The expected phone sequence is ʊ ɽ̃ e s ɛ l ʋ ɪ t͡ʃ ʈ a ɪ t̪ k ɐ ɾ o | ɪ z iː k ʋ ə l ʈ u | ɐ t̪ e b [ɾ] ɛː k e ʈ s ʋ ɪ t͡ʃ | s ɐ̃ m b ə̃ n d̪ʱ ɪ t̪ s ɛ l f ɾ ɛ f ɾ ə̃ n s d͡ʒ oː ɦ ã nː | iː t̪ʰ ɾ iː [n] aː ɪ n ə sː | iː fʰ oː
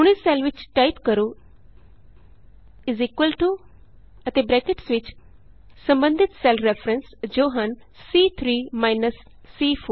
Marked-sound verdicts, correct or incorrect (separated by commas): correct, incorrect